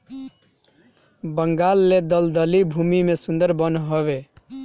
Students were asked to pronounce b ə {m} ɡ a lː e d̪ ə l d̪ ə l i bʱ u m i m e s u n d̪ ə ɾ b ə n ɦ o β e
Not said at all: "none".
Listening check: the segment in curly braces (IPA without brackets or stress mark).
ŋ